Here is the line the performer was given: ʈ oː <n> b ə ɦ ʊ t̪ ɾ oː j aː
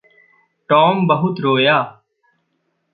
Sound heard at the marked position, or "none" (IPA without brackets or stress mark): m